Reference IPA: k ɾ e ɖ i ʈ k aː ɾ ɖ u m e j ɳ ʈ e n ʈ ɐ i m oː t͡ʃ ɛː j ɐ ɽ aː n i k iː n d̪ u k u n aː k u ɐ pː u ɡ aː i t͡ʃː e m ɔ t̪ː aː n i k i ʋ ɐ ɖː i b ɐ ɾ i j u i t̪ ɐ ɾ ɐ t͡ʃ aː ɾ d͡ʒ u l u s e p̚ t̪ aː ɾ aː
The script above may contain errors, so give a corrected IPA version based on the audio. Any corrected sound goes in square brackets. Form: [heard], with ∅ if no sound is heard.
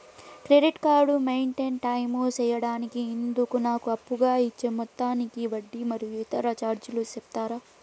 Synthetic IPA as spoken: k ɾ e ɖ i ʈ k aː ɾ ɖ u m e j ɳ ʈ e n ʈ ɐ [j] m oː t͡ʃ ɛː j ɐ ɽ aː n i k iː n d̪ u k u n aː k u ɐ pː u ɡ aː i t͡ʃː e m ɔ t̪ː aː n i k i ʋ ɐ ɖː i [m] ɐ ɾ i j u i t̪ ɐ ɾ ɐ t͡ʃ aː ɾ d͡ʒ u l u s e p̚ t̪ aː ɾ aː